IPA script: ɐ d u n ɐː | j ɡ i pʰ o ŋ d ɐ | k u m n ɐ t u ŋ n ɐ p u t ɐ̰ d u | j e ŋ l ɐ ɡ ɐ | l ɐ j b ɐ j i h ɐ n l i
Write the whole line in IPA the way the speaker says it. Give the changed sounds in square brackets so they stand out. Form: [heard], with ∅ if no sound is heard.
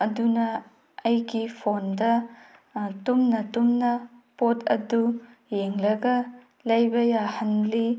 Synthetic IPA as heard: ɐ d u n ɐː | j ɡ i pʰ o [n] d ɐ | [t] u m n ɐ t u [m] n ɐ p [o] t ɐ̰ d u | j e ŋ l ɐ ɡ ɐ | l ɐ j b ɐ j [a] h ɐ n l i